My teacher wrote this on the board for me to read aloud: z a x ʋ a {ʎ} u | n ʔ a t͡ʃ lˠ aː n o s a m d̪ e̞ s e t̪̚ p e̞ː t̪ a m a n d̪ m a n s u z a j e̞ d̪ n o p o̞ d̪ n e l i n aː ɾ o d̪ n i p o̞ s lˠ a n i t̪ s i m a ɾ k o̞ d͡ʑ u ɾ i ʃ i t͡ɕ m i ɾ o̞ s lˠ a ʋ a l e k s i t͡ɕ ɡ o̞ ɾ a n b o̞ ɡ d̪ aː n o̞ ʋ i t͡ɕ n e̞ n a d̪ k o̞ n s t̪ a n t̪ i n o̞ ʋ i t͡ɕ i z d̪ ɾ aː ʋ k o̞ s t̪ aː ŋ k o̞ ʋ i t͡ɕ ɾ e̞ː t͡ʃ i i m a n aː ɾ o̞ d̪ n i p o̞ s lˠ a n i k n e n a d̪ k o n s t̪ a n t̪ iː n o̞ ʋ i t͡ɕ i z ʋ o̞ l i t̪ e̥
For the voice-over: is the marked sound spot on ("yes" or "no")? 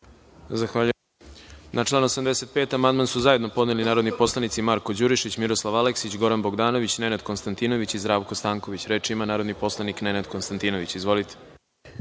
yes